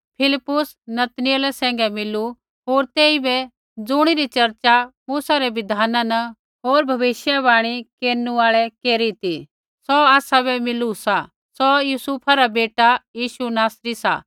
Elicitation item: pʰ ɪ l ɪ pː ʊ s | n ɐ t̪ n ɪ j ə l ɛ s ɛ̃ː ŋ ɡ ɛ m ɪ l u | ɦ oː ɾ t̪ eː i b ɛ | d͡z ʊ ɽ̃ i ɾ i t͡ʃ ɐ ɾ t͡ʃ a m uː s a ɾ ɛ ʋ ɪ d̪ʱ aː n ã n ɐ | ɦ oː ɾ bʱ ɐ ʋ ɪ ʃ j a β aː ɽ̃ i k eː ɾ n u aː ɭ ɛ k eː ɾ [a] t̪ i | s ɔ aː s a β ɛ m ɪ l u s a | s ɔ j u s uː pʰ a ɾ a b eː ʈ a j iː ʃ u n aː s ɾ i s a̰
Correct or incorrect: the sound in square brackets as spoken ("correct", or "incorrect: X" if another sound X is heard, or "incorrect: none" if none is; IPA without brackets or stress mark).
incorrect: i